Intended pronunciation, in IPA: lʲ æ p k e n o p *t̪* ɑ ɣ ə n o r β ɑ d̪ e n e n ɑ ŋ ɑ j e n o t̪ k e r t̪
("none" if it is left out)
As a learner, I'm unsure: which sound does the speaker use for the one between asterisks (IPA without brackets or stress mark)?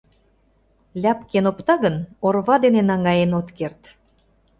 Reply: t̪